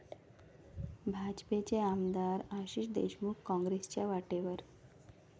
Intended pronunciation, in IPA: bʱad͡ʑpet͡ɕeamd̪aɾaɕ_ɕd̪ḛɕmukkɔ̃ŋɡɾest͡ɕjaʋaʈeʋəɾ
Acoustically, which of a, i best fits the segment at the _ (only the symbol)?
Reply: i